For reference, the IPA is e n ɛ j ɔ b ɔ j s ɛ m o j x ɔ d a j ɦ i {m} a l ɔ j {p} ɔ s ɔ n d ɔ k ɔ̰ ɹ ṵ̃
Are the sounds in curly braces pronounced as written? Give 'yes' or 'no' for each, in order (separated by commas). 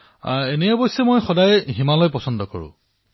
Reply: yes, yes